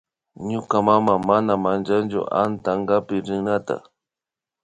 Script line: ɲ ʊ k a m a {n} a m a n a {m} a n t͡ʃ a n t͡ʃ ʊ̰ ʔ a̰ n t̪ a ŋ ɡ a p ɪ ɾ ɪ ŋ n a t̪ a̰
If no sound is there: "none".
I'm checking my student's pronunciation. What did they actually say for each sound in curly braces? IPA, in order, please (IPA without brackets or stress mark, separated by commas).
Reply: m, m